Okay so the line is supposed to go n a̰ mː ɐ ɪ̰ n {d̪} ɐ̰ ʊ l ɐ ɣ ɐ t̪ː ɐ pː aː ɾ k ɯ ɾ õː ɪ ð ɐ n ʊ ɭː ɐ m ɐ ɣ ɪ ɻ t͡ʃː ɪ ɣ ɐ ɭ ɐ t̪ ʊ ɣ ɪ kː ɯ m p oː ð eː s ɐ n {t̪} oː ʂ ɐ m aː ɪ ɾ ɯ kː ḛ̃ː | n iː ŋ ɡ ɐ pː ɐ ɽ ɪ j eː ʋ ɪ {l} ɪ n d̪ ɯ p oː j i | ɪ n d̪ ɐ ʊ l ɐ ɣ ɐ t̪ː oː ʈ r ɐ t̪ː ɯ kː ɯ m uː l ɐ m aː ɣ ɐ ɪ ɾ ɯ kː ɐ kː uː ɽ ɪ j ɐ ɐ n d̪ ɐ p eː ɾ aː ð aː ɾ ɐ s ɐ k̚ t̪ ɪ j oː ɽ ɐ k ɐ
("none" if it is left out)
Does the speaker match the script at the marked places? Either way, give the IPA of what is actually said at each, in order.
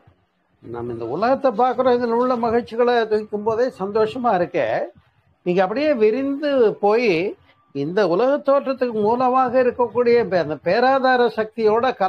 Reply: d̪, d̪, ɾ

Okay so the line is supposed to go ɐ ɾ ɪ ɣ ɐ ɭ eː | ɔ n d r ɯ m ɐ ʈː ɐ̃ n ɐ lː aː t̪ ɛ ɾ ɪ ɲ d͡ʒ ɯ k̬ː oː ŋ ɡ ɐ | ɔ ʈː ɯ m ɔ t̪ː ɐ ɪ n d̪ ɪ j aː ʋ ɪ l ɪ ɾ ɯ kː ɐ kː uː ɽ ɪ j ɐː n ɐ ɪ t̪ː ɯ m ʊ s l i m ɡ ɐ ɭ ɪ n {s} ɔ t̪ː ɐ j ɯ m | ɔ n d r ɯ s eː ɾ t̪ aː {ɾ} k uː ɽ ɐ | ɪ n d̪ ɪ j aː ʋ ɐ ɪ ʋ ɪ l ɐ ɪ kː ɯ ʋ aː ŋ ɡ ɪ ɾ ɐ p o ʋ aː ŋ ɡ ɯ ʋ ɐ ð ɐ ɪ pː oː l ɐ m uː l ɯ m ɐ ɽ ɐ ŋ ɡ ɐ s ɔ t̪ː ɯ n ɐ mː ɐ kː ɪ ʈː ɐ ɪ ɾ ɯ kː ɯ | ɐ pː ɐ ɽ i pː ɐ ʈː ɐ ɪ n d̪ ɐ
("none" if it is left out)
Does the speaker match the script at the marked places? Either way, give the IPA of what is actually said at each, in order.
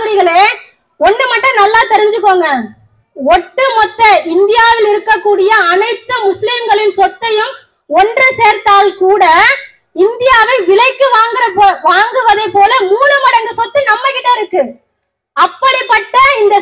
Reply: s, l

